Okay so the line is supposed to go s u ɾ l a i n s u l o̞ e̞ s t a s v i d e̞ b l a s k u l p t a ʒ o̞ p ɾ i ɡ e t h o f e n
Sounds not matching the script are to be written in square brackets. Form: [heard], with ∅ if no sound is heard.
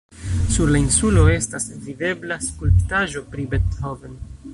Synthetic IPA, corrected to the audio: s u ɾ l a i n s u l o̞ e̞ s t a s v i d e̞ b l a s k u l p t a ʒ o̞ p ɾ i [b] e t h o [v] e n